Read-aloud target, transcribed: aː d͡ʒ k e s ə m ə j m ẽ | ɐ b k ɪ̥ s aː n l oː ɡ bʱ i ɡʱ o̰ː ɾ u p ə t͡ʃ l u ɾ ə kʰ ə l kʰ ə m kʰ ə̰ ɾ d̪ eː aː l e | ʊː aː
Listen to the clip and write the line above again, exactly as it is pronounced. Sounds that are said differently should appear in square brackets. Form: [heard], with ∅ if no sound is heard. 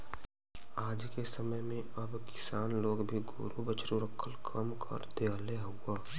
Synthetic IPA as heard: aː d͡ʒ k e s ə m ə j m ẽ | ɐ b k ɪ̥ s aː n l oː ɡ bʱ i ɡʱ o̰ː ɾ u [b] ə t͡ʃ [ɾ] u ɾ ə kʰ ə l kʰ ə m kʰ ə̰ ɾ d̪ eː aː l e | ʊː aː